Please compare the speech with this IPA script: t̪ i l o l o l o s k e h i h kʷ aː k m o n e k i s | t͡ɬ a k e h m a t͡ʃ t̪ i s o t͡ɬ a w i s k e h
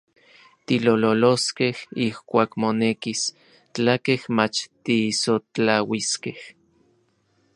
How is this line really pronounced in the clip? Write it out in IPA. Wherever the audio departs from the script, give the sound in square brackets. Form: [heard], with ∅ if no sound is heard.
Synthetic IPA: t̪ i l o l o l o s k e h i h kʷ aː k m o n e k i s | t͡ɬ a k e h m a t͡ʃ t̪ i s o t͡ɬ a w i s k e h